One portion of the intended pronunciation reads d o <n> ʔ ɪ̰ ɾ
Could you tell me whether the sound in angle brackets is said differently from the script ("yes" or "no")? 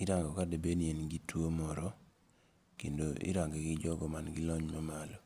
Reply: yes